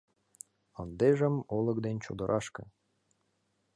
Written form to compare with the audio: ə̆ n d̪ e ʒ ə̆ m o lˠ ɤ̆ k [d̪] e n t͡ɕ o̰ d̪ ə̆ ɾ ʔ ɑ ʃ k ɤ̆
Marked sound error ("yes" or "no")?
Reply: no